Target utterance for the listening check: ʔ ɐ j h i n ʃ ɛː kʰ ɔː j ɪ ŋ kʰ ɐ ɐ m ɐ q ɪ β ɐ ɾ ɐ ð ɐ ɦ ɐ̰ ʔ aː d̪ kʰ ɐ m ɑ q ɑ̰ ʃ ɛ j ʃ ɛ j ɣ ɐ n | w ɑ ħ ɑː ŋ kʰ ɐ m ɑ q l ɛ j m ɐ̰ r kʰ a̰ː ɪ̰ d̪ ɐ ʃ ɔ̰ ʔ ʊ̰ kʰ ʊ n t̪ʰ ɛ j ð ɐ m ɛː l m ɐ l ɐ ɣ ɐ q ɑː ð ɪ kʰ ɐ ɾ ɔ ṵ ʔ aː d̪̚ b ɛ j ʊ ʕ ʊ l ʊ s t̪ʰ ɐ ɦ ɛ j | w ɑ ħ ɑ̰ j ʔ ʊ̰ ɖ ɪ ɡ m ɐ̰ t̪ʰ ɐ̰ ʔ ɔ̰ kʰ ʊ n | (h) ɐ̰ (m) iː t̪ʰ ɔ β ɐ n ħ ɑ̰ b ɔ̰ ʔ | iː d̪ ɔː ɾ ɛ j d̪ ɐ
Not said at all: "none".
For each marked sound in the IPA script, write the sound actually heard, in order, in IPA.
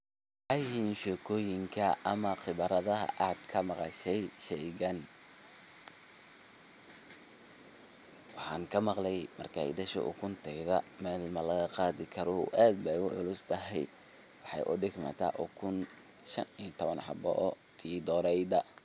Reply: ʃ, n

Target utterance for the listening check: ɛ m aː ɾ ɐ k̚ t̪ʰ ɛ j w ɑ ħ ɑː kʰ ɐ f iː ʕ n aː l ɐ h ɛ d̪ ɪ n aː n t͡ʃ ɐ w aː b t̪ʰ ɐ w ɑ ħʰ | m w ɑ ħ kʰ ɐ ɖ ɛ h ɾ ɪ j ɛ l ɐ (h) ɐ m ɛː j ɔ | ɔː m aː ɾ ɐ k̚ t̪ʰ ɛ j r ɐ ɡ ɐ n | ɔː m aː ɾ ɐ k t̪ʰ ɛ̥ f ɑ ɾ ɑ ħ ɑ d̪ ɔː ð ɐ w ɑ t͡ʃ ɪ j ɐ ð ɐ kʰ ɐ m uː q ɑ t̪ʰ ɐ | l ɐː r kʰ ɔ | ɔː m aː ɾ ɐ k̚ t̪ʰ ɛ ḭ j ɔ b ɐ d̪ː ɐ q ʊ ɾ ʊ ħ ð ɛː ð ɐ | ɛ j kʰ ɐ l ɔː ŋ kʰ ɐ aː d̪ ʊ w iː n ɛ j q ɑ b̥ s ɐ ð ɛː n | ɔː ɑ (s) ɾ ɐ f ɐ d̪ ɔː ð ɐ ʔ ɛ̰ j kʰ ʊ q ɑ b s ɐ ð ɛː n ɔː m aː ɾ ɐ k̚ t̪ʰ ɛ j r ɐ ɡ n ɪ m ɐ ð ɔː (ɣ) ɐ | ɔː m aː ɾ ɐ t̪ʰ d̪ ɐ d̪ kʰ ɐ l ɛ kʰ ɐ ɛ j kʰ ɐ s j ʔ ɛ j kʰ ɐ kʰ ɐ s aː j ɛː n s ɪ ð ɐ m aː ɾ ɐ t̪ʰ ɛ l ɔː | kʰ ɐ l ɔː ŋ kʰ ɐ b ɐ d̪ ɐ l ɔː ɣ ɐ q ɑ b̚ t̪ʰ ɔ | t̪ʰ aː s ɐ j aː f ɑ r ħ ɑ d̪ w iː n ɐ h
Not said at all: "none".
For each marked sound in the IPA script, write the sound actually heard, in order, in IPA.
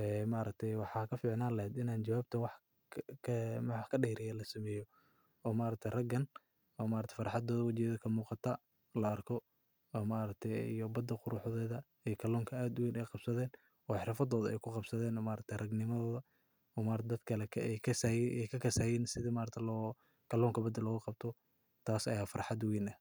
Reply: s, ħ, ð

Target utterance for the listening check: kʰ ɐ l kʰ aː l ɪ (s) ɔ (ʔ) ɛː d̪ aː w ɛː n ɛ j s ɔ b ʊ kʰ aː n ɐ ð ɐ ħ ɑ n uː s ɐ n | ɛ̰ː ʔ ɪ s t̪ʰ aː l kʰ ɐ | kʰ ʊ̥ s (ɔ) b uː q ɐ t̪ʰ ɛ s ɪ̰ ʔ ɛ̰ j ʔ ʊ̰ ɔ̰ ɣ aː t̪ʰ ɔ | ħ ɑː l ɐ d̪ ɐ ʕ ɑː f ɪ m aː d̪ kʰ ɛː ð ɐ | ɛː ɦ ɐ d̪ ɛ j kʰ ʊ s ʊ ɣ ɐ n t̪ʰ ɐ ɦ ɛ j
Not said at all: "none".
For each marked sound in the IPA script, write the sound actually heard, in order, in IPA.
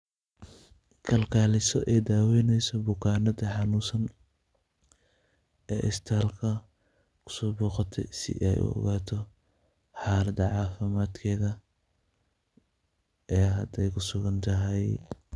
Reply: s, ʔ, ɔː

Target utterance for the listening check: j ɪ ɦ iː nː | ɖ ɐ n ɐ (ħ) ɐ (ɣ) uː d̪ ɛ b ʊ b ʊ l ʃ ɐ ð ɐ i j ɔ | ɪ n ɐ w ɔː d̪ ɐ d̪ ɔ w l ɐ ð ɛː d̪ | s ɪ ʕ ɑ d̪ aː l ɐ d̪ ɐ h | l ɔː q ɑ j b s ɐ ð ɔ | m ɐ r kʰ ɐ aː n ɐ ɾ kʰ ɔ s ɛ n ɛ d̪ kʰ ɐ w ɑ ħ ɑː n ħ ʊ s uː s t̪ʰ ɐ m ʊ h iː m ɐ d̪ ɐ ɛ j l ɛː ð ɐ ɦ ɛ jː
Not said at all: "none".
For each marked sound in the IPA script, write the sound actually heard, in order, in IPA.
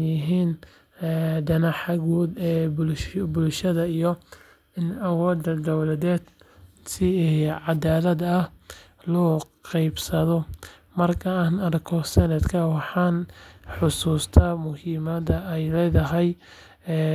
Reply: ħ, ɣ

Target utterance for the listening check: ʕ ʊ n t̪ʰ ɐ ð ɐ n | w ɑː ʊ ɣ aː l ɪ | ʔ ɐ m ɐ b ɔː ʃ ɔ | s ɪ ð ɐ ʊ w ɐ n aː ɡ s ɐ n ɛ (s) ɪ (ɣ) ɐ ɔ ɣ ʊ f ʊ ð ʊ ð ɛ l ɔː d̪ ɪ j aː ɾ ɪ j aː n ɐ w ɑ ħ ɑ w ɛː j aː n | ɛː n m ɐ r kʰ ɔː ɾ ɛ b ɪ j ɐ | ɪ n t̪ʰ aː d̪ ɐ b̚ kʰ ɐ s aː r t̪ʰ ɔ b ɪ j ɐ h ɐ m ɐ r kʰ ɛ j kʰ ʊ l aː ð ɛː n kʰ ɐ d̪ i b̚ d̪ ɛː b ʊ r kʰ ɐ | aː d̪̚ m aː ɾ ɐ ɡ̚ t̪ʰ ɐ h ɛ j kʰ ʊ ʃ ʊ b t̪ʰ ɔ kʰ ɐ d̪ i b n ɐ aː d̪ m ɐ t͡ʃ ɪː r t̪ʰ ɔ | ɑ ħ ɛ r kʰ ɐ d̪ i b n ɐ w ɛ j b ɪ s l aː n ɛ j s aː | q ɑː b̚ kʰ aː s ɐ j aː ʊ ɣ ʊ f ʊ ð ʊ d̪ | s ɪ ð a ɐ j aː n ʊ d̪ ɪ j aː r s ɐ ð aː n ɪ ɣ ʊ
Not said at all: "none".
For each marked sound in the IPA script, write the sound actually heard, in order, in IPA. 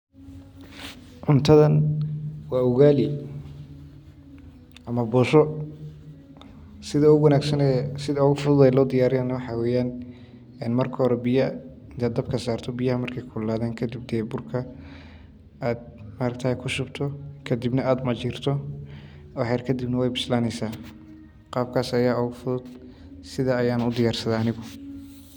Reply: s, ð

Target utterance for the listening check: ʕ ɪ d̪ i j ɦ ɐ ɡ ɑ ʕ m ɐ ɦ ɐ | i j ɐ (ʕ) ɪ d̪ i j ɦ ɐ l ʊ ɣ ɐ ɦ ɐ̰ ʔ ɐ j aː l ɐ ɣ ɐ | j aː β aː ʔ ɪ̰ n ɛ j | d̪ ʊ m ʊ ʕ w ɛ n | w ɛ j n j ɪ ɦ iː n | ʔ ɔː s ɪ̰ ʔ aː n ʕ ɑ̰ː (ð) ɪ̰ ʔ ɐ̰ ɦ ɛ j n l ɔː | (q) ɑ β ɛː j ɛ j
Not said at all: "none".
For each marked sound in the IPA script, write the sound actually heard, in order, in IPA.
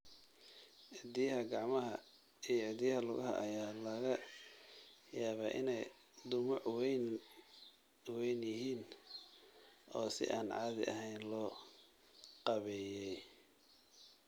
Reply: ʕ, ð, q

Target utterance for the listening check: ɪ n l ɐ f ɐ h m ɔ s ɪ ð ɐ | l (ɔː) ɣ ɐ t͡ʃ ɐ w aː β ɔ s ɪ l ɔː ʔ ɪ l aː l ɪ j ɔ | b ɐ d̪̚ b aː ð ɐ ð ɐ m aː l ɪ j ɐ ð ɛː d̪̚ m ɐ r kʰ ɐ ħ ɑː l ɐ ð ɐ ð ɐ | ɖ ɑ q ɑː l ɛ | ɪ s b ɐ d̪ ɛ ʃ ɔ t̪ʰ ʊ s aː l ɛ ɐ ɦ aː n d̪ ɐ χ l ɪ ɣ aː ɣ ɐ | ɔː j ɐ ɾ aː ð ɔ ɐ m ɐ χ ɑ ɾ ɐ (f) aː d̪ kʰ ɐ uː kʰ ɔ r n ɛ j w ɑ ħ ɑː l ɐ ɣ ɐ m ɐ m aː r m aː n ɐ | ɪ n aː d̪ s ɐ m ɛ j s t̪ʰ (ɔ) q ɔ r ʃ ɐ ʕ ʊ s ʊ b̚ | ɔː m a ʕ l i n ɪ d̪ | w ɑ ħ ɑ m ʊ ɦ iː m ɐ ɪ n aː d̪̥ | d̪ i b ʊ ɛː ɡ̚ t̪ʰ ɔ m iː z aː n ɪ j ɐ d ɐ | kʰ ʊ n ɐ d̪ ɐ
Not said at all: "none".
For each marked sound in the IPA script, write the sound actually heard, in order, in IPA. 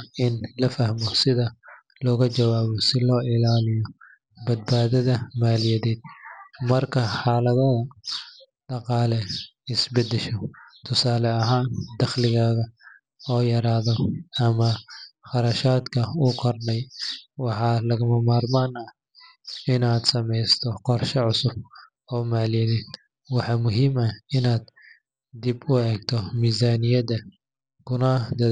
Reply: ɔː, ʃ, ɔ

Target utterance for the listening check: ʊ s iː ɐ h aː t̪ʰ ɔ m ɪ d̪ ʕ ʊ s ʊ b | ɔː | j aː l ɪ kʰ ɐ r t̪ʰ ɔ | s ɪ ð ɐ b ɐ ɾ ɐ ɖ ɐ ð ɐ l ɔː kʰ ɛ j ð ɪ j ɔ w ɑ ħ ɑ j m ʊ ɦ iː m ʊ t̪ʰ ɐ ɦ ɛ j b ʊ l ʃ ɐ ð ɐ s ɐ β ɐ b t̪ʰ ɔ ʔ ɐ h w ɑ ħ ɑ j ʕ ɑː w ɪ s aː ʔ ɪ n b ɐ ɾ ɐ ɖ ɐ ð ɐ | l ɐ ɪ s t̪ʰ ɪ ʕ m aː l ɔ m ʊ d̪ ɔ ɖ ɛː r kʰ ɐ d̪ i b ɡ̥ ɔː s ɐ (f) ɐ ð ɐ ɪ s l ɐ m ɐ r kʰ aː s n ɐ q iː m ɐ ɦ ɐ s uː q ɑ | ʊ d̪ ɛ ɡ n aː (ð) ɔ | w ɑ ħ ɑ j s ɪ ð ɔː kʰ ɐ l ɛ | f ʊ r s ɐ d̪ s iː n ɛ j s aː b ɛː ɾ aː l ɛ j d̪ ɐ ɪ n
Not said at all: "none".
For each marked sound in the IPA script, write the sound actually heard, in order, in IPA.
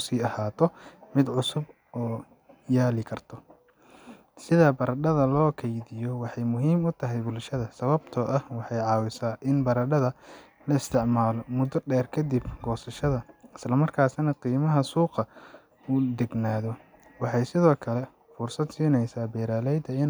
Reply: ʃ, ð

